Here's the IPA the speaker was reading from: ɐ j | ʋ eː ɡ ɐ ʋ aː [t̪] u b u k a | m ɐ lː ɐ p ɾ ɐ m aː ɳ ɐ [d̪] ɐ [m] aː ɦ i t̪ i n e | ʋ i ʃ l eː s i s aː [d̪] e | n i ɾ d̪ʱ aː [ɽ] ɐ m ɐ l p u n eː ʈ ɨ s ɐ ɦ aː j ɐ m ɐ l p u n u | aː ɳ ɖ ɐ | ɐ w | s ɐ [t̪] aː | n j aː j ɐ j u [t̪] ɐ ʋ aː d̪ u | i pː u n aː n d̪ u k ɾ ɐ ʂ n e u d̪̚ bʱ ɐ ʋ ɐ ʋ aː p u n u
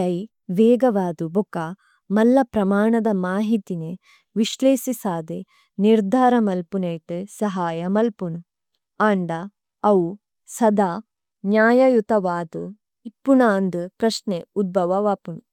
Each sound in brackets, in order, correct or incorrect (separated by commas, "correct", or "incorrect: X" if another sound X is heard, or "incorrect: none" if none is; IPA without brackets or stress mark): incorrect: d̪, correct, correct, correct, incorrect: ɾ, incorrect: d̪, correct